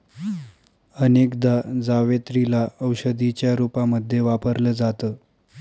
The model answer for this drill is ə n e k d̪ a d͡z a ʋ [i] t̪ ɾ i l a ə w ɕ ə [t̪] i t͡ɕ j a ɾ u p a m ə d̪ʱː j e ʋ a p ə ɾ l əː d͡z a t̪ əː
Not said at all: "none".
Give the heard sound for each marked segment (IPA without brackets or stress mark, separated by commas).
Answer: e, d̪